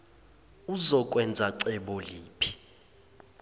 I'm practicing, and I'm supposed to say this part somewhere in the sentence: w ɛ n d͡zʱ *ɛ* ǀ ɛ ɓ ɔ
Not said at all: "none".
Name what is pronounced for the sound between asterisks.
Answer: a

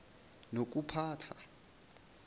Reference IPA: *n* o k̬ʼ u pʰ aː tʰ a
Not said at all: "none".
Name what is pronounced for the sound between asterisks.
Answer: n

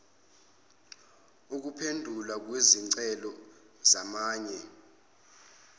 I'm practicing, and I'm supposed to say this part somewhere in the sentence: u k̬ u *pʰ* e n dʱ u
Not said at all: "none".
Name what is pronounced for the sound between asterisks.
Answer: pʰ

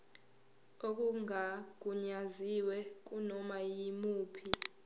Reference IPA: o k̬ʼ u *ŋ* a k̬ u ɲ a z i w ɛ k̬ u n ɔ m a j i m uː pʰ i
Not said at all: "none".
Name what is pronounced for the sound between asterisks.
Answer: ŋ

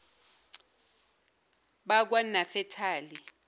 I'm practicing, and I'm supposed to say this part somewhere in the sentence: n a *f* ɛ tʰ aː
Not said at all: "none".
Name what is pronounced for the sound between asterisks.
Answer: f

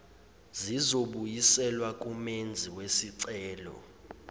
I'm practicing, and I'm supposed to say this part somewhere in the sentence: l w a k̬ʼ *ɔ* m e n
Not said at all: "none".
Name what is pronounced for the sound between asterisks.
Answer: u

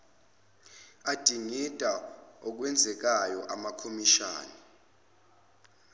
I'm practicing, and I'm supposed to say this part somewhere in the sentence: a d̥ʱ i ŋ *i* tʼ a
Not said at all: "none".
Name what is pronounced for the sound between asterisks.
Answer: i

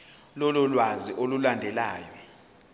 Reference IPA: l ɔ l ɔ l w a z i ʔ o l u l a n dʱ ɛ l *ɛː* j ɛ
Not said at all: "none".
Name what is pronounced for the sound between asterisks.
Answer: aː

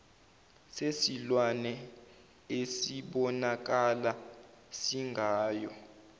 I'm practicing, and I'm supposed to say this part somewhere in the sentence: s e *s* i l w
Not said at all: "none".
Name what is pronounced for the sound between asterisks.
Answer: s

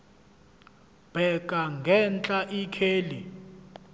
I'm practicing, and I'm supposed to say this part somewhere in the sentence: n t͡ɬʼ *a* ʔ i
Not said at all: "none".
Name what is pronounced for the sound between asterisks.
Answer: a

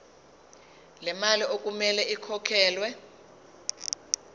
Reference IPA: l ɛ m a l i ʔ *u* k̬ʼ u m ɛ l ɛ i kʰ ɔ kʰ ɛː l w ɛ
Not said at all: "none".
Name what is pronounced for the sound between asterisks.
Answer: o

